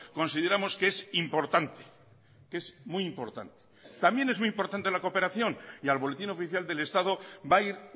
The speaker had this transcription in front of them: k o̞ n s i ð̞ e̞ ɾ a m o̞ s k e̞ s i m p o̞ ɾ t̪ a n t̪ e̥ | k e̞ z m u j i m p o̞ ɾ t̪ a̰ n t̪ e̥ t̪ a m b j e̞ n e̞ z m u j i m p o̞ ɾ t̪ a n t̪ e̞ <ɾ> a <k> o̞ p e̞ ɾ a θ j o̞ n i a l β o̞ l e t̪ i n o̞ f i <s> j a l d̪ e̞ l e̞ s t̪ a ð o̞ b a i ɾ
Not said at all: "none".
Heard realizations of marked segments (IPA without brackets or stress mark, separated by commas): l, k, θ